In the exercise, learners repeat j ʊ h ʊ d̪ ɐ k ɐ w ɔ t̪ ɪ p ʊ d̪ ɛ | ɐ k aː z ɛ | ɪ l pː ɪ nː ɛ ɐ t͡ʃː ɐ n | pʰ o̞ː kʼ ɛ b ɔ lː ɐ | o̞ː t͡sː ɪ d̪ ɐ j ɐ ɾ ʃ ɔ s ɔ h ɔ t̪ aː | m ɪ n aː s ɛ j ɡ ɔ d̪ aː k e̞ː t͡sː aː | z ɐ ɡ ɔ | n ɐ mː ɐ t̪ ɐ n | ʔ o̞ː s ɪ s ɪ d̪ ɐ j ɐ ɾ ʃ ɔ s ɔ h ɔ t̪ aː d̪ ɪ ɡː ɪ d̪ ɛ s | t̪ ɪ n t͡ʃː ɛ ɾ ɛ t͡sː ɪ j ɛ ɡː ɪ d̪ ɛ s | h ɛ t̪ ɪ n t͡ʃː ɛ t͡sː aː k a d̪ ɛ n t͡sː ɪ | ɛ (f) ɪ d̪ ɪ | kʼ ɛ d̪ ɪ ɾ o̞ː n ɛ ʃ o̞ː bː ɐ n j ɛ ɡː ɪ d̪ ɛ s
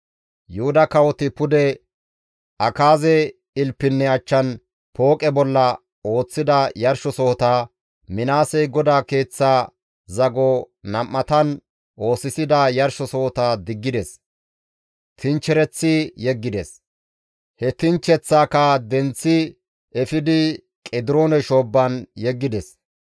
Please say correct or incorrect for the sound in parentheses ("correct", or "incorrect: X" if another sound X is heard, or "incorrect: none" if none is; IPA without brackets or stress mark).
correct